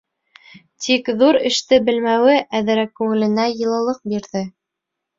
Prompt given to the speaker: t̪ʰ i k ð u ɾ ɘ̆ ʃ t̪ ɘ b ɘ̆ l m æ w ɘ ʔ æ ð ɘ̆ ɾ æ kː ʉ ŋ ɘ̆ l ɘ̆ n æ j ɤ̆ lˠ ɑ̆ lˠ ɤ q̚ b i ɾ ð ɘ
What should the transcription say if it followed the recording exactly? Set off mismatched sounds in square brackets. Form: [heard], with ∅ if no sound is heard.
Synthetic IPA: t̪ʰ i k ð u ɾ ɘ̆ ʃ t̪ ɘ b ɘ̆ l m æ w ɘ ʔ æ ð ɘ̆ ɾ æ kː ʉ ŋ ɘ̆ l ɘ̆ n æ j ɤ̆ lˠ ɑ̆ lˠ ɤ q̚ b i ɾ ð ɘ